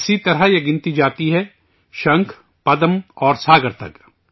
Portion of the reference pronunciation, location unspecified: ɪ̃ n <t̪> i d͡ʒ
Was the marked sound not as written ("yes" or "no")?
no